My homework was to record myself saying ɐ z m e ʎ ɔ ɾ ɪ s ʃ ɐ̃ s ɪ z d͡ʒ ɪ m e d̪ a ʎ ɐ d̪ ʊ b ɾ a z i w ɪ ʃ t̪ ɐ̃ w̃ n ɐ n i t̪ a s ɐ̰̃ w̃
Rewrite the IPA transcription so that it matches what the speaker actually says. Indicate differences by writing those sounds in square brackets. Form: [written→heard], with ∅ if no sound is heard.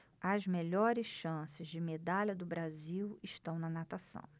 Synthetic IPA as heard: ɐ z m e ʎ ɔ ɾ ɪ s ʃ ɐ̃ s ɪ z d͡ʒ ɪ m e d̪ a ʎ ɐ d̪ ʊ b ɾ a z i w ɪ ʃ t̪ ɐ̃ w̃ n ɐ n [i→a] t̪ a s ɐ̰̃ w̃